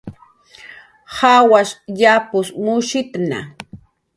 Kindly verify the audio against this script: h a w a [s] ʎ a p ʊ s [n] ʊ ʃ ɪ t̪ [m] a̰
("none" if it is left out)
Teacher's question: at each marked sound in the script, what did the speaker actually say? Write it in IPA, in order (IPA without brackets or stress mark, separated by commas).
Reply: ʃ, m, n